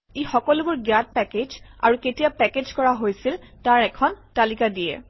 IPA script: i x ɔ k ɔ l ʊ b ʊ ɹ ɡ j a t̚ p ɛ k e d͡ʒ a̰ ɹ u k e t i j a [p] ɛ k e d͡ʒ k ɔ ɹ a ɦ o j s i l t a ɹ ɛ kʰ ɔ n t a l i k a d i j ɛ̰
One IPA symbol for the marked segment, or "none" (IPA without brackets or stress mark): p